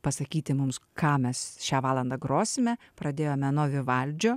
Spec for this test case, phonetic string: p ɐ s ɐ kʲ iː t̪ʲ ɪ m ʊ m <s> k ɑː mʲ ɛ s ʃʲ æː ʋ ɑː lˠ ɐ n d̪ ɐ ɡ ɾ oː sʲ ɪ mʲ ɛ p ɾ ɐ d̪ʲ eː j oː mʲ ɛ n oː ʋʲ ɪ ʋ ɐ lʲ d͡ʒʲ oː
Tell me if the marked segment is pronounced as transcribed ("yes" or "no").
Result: yes